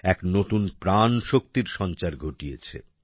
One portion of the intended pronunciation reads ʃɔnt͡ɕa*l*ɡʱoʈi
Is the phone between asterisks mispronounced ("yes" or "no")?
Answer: yes